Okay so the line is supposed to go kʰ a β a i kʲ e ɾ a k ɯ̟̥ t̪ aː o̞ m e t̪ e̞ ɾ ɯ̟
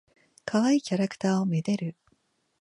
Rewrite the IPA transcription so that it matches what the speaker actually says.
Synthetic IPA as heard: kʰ a β a i kʲ a ɾ a k ɯ̟̥ t̪ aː o̞ m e d̪ e̞ ɾ ɯ̟